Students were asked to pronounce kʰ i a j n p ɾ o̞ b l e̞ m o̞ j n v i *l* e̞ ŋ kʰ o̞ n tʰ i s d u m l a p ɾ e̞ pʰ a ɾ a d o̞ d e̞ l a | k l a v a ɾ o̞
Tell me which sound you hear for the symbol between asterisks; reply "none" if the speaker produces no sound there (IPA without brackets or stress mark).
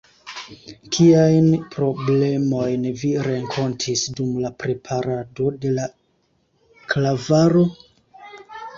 ɾ